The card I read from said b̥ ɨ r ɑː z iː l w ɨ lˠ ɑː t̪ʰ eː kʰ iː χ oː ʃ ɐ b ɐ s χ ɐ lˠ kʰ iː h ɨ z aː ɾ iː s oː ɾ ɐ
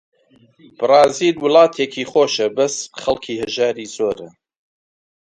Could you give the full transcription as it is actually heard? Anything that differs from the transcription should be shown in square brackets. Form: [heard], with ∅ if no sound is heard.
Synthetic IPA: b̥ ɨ r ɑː z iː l w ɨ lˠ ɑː t̪ʰ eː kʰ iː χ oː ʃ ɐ b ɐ s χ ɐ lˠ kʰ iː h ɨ [ʒ] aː ɾ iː [z] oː ɾ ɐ